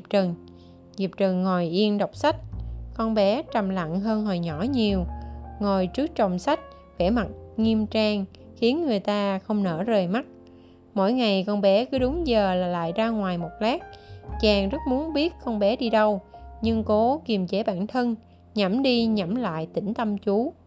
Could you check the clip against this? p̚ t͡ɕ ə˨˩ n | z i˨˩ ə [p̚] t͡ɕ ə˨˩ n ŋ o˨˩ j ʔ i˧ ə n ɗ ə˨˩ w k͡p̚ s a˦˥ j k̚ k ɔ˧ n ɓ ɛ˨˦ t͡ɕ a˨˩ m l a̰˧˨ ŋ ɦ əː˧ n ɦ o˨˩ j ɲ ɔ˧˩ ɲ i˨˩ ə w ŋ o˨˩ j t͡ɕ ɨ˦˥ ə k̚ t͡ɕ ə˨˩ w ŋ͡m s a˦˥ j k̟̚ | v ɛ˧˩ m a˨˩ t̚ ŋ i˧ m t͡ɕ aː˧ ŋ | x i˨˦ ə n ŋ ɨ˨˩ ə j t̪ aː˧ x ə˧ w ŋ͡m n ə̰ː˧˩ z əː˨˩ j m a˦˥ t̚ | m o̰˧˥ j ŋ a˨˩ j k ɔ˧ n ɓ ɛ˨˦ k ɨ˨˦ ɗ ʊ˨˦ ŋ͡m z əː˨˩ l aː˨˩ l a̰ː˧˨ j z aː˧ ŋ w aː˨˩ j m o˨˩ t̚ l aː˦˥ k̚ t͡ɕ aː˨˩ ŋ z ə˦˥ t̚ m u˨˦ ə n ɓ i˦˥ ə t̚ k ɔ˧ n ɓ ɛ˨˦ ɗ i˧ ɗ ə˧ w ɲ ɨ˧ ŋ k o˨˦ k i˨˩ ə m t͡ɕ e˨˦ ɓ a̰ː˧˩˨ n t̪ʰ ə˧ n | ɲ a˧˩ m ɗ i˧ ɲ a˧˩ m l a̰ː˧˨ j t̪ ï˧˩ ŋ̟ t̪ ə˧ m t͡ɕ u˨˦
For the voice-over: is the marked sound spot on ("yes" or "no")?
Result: yes